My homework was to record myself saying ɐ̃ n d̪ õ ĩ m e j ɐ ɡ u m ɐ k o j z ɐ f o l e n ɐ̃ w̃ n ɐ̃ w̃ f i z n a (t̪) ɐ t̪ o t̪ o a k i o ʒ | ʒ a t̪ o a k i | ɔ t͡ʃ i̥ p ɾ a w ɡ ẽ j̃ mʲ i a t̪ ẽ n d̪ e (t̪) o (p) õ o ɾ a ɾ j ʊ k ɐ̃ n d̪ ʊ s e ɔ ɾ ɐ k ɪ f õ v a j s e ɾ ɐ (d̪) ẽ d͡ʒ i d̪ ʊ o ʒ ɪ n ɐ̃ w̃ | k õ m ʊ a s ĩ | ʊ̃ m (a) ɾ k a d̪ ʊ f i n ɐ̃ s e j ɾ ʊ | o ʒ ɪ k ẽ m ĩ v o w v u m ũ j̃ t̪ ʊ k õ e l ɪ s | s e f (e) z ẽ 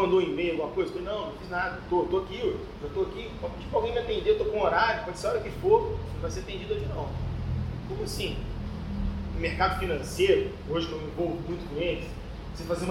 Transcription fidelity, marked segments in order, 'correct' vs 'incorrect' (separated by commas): incorrect, correct, incorrect, incorrect, incorrect, incorrect